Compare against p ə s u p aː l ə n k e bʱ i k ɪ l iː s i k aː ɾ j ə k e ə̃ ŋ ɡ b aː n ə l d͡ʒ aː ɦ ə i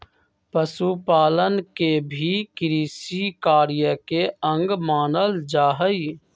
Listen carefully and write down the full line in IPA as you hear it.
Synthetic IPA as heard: p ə s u p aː l ə n k e bʱ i k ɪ ɾ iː s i k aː ɾ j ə k e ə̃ ŋ ɡ m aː n ə l d͡ʒ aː ɦ ə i